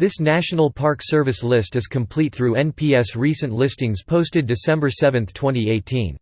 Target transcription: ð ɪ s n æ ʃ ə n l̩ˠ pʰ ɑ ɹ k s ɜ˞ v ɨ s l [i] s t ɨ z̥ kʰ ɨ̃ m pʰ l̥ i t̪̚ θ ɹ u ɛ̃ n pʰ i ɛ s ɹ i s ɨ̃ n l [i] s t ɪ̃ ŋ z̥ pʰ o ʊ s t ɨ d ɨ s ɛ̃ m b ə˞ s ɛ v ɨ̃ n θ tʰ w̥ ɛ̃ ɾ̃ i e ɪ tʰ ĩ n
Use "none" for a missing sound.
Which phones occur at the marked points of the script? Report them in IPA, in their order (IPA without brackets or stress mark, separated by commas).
ɪ, ɪ